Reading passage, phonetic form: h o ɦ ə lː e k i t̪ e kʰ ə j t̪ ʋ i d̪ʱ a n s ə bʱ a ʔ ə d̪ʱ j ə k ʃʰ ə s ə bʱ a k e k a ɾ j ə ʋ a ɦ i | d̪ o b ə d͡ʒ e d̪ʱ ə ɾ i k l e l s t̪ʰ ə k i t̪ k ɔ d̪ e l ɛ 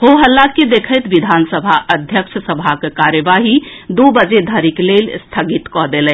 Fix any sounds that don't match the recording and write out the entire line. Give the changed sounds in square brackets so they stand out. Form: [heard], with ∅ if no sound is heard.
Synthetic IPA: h o ɦ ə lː [a] k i [d̪] e kʰ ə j t̪ ʋ i d̪ʱ a n s ə bʱ a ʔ ə d̪ʱ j ə k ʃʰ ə s ə bʱ a k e k a ɾ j ə ʋ a ɦ i | d̪ o b ə d͡ʒ e d̪ʱ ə ɾ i k l e l s t̪ʰ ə [ɡ] i t̪ k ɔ d̪ e l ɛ